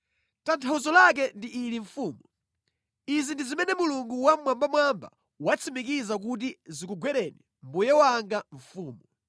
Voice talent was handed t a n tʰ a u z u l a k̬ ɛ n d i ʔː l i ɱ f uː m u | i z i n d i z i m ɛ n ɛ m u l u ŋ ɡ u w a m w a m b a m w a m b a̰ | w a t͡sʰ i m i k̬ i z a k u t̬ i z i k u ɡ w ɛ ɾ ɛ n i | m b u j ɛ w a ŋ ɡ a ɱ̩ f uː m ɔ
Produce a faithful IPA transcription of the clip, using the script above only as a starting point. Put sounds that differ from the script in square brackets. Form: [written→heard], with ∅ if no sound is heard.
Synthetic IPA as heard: t a n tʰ a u z [u→ɔ] l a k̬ ɛ n d i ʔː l i ɱ f uː m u | i z i n d i z i m ɛ n ɛ m u l u ŋ ɡ u w a m w a m b a m w a m b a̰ | w a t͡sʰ i m i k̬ i z a k u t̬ i z i k u ɡ w ɛ ɾ ɛ n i | m b u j ɛ w a ŋ ɡ a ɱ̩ f uː m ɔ